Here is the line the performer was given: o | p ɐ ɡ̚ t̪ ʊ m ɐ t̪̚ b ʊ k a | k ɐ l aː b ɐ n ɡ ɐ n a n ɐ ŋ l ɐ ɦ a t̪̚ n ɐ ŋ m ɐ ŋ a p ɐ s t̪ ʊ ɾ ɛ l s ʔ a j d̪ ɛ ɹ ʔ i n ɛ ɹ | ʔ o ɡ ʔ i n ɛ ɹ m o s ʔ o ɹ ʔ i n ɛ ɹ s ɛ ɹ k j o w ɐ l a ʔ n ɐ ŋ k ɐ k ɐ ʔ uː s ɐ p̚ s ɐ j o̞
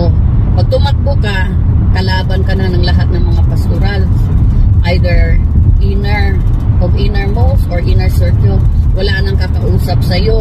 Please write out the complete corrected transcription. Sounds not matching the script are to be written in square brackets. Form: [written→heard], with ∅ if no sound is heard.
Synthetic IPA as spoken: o | p ɐ ɡ̚ t̪ ʊ m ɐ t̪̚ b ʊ k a | k ɐ l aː b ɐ n [ɡ→k] ɐ n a n ɐ ŋ l ɐ ɦ a t̪̚ n ɐ ŋ m ɐ ŋ a p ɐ s t̪ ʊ ɾ [ɛ→a] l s ʔ a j d̪ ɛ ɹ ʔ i n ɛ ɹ | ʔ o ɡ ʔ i n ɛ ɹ m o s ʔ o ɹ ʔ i n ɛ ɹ s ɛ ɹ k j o w ɐ l a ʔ n ɐ ŋ k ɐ k ɐ ʔ uː s ɐ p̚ s ɐ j o̞